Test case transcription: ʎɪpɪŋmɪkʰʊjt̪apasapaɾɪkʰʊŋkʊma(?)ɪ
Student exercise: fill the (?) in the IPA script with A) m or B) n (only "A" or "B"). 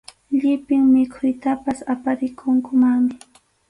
A